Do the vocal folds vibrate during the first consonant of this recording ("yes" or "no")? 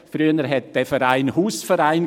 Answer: no